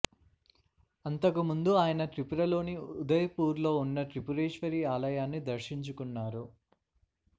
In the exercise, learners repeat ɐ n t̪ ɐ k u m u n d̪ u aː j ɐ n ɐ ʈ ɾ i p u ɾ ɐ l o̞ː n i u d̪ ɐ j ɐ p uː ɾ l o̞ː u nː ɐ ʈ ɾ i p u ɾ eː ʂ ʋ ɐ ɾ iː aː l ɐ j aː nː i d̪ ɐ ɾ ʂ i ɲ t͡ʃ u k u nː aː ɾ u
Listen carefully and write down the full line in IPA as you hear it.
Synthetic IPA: ɐ n t̪ ɐ k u m u n d̪ u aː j ɐ n ɐ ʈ ɾ i p u ɾ ɐ l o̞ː n i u d̪ ɐ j ɐ p uː ɾ l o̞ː u nː ɐ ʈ ɾ i p u ɾ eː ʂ ʋ ɐ ɾ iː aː l ɐ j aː nː i d̪ ɐ ɾ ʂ i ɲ t͡ʃ u k u nː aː ɾ u